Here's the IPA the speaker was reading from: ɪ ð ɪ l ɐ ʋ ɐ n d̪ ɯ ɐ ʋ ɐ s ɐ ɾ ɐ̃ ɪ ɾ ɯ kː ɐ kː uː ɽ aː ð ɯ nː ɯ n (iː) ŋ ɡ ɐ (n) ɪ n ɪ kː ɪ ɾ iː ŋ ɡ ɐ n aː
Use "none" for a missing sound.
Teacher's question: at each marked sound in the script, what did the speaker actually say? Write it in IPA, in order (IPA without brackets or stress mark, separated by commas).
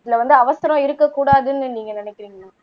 iː, n